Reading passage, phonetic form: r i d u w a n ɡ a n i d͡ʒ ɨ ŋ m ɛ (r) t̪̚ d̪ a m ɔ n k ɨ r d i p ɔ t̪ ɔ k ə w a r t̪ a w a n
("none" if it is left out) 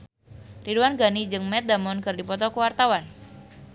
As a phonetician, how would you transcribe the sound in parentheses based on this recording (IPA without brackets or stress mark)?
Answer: none